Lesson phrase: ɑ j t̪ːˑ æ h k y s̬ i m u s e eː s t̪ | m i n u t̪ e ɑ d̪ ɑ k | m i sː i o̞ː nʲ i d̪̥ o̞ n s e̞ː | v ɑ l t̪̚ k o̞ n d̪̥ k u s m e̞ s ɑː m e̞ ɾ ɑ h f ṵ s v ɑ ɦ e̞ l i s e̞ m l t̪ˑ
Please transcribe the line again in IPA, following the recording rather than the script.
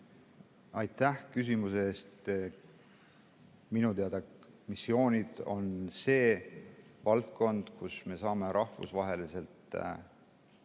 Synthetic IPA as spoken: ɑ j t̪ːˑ æ h k y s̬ i m u s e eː s t̪ | m i n u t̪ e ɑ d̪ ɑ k | m i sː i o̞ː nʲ i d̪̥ o̞ n s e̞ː | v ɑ l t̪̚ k o̞ n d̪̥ k u s m e̞ s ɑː m e̞ ɾ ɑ h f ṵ s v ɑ ɦ e̞ l i s e̞ l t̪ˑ